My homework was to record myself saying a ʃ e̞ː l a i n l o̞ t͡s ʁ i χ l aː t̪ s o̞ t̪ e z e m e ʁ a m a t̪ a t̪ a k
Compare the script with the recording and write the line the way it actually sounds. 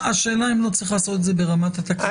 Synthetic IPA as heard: a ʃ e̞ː l a i m l o̞ t͡s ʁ i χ l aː s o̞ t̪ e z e b e ʁ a m a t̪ a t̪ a k